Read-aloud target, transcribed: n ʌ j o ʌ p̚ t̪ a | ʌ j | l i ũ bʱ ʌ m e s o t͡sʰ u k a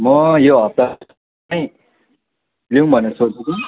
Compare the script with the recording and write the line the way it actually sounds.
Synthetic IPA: m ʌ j o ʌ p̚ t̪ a | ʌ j | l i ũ bʱ ʌ n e s o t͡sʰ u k i